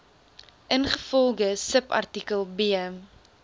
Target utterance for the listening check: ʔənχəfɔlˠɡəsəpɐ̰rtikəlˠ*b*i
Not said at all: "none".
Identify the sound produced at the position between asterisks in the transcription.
b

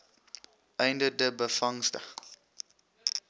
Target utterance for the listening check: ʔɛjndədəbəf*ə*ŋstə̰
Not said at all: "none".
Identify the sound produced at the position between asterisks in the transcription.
ɐ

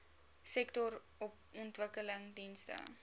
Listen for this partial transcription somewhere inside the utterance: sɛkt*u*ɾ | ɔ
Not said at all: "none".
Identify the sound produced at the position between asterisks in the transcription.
ɔ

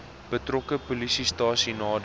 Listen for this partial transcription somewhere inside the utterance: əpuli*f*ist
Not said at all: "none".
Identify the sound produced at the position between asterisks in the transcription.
s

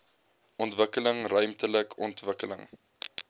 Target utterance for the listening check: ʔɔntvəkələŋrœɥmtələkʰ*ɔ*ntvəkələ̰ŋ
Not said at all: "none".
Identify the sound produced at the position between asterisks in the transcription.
ɔ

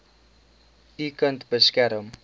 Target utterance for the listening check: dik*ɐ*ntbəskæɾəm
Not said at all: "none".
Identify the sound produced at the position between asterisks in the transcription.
ə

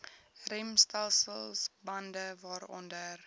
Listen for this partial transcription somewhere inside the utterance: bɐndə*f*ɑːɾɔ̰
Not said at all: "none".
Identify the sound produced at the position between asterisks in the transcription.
v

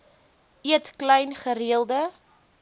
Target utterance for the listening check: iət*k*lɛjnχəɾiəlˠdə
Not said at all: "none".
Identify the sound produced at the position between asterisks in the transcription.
k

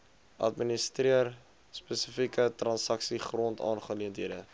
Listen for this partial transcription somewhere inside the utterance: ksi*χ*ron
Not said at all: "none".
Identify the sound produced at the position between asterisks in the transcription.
χ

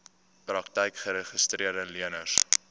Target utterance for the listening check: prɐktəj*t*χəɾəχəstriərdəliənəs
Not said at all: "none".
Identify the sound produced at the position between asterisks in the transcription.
k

